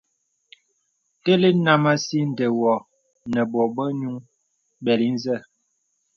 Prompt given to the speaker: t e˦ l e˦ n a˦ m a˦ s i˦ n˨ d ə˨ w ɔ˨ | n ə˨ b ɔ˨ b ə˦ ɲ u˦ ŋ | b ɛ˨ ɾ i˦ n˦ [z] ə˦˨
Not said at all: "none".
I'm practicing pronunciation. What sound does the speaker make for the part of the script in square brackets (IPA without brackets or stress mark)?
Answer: z